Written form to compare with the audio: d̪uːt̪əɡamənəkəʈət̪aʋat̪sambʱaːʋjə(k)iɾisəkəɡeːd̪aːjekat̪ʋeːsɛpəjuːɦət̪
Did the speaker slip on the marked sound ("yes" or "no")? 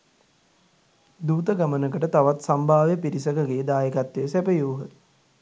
yes